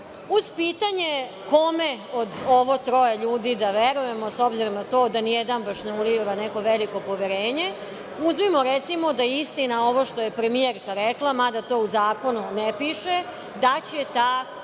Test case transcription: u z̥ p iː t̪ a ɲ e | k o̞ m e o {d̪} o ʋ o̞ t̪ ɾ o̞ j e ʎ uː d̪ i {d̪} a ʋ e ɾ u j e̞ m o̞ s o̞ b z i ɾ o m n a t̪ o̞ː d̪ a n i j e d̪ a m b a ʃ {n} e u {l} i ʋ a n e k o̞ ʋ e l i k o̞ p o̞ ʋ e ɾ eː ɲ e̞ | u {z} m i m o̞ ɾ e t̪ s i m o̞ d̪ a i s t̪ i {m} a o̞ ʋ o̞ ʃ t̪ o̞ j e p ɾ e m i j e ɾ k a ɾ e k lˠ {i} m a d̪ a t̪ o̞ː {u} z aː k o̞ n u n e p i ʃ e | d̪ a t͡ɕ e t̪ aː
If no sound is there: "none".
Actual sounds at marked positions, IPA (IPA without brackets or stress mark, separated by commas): d̪, d̪, n, l, z, n, a, u